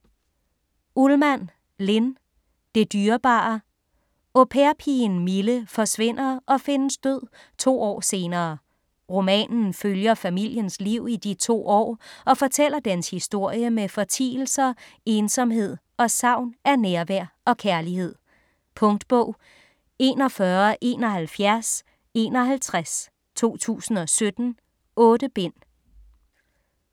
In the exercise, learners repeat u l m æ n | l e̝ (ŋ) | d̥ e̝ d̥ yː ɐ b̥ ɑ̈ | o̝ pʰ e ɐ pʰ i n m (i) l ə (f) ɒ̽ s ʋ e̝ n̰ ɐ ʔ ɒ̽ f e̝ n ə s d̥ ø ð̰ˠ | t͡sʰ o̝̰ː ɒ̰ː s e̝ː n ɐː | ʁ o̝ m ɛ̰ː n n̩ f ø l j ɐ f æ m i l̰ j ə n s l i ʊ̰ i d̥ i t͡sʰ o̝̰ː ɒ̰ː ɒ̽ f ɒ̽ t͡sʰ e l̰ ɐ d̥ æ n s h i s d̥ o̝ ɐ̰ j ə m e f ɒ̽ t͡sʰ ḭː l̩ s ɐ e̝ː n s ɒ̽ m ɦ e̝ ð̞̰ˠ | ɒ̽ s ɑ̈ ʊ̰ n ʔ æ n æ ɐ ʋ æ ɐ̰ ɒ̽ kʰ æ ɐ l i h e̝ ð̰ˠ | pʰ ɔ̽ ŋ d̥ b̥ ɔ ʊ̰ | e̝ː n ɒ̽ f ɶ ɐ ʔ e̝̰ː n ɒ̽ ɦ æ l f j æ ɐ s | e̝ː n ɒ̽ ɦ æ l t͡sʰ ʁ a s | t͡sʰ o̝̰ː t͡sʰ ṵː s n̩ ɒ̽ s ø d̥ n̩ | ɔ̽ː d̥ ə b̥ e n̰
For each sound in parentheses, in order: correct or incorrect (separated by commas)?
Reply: incorrect, correct, correct